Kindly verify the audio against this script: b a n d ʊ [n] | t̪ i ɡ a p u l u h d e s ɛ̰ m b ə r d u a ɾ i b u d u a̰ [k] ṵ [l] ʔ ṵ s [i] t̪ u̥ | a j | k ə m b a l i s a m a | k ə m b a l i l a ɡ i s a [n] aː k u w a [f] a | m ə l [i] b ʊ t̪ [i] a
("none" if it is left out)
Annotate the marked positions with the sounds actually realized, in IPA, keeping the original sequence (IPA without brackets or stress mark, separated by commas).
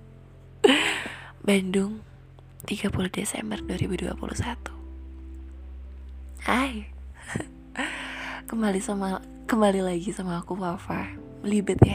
ŋ, p, l, a, m, f, i, j